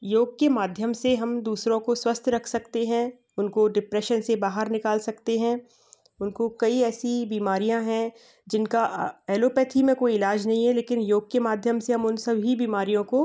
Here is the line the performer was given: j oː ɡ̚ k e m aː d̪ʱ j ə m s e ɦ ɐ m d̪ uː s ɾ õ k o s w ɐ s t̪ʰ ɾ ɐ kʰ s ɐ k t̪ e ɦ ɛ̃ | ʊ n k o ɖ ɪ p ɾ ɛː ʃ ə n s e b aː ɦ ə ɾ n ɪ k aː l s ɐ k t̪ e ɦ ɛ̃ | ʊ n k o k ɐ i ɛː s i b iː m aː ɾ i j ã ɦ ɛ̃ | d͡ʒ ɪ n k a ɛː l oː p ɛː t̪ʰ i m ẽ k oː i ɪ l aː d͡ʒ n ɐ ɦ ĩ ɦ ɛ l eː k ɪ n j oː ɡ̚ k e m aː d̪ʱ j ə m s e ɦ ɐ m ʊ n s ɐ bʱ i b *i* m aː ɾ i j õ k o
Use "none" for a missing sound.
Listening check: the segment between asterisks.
iː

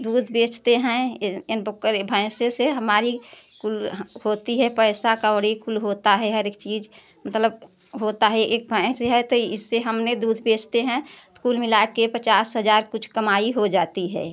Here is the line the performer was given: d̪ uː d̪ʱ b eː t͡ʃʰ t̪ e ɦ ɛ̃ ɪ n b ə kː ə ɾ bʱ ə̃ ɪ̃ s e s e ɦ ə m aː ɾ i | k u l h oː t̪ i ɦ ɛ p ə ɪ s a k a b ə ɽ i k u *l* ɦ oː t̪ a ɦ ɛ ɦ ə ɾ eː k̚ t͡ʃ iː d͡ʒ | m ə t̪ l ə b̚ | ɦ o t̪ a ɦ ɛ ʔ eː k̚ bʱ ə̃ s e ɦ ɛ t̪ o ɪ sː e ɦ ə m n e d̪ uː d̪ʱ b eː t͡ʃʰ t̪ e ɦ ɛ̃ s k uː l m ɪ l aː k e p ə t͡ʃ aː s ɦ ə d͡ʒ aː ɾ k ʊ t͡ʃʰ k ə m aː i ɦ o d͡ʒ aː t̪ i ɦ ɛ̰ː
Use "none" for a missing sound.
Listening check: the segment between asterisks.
l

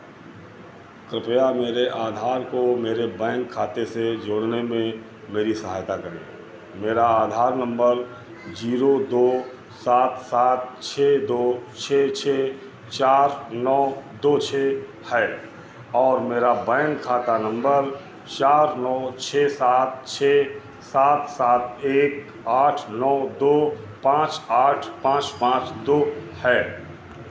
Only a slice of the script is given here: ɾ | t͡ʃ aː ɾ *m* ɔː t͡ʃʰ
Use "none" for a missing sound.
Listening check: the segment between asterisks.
n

